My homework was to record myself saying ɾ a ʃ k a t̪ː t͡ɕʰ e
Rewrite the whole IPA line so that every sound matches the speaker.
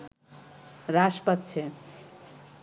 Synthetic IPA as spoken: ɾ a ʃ p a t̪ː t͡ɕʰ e

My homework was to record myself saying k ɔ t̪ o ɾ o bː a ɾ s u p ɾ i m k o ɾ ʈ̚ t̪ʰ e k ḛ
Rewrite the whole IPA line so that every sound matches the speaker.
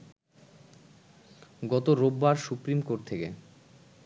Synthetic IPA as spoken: ɡ ɔ t̪ o ɾ o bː a ɾ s u p ɾ i m k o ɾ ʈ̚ t̪ʰ e k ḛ

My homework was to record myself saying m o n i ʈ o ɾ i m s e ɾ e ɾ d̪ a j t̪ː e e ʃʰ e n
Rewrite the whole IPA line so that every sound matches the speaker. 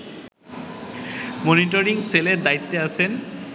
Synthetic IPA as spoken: m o n i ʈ o ɾ i ŋ s e l e ɾ d̪ a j t̪ː e a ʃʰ e n

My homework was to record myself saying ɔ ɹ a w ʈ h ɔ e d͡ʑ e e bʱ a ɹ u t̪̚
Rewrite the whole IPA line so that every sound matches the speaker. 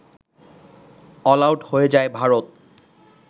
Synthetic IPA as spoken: ɔ l a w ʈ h o e d͡ʑ a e bʱ a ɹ o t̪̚

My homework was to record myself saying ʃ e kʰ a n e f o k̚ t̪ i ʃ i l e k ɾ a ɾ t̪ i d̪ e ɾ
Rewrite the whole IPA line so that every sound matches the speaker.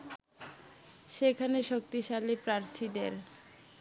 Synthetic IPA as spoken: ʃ e kʰ a n e ʃ o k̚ t̪ i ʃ a l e p ɾ a ɾ t̪ʰ i d̪ e ɾ

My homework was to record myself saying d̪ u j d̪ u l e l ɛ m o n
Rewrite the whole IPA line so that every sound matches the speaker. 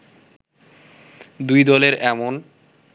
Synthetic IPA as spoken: d̪ u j d̪ ɔ l e ɾ ɛ m o n

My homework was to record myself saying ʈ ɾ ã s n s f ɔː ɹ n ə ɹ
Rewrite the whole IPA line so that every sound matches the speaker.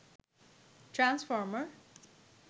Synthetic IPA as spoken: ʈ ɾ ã n s f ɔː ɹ m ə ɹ

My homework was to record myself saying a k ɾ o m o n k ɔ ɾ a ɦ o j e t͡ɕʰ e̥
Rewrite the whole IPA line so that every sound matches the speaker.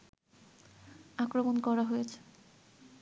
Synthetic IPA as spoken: a k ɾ o m o n k ɔ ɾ a ɦ o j e t͡ɕʰ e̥

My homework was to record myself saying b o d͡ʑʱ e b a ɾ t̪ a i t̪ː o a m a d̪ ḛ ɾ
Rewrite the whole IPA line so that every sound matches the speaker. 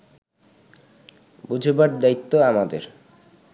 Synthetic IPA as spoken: b u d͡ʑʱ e b a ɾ d̪ a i t̪ː o a m a d̪ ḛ ɾ

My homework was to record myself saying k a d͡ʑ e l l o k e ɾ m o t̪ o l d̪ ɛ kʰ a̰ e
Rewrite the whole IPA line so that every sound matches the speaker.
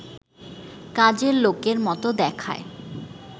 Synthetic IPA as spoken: k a d͡ʑ e ɾ l o k e ɾ m ɔ t̪ o d̪ ɛ kʰ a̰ e

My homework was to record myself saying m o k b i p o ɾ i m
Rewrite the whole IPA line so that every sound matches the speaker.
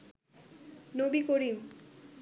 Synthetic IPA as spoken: n o b i k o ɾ i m

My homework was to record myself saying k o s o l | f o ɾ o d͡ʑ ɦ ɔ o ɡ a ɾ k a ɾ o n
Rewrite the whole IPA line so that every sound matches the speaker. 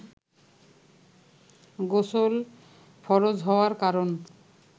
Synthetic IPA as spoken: ɡ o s o l | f ɔ ɾ o d͡ʑ ɦ ɔ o a ɾ k a ɾ o n

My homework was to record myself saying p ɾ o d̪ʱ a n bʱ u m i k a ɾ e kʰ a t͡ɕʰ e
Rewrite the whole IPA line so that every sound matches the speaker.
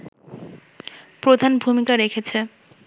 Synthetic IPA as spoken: p ɾ o d̪ʱ a n bʱ u m i k a ɾ e kʰ e t͡ɕʰ e

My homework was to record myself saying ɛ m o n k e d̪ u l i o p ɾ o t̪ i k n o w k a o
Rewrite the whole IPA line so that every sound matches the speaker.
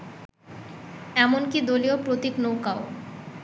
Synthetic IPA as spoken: ɛ m o n k i d̪ o l i o p ɾ o t̪ i k n o w k a o

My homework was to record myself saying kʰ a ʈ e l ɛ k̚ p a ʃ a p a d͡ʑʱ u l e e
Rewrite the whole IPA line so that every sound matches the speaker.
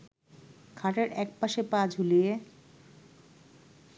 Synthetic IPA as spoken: kʰ a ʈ e ɾ ɛ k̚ p a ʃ e p a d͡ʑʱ u l i e

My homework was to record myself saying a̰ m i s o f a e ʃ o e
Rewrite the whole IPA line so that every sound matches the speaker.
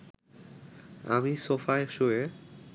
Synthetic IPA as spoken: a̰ m i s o f a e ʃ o e

